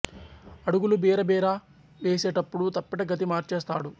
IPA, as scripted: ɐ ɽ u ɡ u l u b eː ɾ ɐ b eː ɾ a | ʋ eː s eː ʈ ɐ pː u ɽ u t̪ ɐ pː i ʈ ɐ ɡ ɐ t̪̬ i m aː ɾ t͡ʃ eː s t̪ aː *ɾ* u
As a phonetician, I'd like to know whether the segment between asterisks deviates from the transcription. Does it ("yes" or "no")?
yes